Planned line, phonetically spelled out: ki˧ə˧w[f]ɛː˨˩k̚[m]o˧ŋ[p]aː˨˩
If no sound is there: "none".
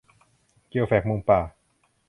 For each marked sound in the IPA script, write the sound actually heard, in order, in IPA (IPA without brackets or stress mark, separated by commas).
f, m, p